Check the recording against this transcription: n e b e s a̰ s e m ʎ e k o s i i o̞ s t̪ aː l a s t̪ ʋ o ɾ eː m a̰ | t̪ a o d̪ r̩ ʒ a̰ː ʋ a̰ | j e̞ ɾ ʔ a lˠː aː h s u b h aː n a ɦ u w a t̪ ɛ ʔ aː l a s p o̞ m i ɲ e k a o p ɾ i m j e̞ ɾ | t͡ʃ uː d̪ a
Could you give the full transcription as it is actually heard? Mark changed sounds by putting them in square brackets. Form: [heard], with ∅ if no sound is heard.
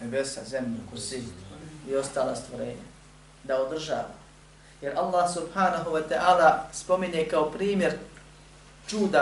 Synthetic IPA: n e b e s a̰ [z] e m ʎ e k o s i i o̞ s t̪ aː l a s t̪ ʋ o ɾ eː [ɲ] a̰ | [d̪] a o d̪ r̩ ʒ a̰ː ʋ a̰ | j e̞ ɾ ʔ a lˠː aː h s u b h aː n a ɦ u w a t̪ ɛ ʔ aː l a s p o̞ m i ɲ e k a o p ɾ [iː] m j e̞ ɾ | t͡ʃ uː d̪ a